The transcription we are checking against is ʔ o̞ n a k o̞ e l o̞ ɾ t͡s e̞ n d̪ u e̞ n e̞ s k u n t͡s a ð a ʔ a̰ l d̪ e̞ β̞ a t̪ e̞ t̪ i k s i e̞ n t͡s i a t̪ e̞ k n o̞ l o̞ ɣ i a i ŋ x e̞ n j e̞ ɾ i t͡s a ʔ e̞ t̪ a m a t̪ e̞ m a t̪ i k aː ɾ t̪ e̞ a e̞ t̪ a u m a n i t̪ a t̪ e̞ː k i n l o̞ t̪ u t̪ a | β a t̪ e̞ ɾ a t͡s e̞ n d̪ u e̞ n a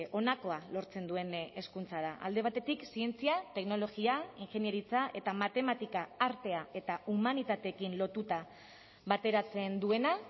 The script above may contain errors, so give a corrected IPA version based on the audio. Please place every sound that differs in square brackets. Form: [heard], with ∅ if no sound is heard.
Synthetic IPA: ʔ o̞ n a k o̞ [a] l o̞ ɾ t͡s e̞ n d̪ u e̞ n e̞ s k u n t͡s a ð a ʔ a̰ l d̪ e̞ β̞ a t̪ e̞ t̪ i k s i e̞ n t͡s i a t̪ e̞ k n o̞ l o̞ ɣ i a i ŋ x e̞ n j e̞ ɾ i t͡s a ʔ e̞ t̪ a m a t̪ e̞ m a t̪ i k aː ɾ t̪ e̞ a e̞ t̪ a u m a n i t̪ a t̪ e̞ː k i n l o̞ t̪ u t̪ a | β a t̪ e̞ ɾ a t͡s e̞ n d̪ u e̞ n a